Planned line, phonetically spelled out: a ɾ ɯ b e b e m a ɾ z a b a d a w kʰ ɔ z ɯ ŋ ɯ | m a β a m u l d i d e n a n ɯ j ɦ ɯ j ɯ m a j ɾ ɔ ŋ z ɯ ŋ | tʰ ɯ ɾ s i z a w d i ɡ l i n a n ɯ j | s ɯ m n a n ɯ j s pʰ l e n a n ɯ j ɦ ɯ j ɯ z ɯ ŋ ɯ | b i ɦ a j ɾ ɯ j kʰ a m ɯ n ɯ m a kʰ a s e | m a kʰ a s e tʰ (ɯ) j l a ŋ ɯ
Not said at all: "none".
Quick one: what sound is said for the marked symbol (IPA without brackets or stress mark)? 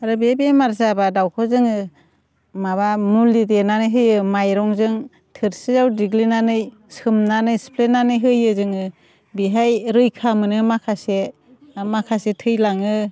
ɯ